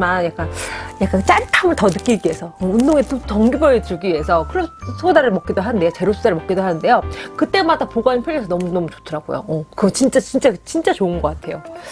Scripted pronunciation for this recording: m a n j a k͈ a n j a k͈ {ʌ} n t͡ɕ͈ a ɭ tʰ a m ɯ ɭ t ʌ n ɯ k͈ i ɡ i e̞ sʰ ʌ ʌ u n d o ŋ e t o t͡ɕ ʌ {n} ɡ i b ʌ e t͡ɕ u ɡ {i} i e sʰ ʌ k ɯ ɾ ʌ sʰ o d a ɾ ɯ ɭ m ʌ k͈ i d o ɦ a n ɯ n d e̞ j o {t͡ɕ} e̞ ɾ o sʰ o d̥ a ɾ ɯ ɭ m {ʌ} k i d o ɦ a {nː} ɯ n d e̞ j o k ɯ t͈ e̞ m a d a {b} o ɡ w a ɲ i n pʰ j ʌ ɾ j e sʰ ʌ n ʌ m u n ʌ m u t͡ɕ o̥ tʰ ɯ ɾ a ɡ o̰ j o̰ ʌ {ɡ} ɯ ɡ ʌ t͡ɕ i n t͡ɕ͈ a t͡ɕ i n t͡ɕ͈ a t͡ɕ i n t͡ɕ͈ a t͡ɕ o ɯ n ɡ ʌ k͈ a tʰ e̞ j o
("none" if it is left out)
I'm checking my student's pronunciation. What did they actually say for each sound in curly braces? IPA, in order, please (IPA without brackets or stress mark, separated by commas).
a, ŋ, i, t͡ɕ, ʌ, n, p, k